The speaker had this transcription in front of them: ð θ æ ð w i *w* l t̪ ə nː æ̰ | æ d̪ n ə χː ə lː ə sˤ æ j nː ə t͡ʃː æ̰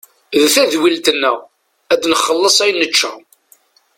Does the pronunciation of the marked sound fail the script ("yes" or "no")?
yes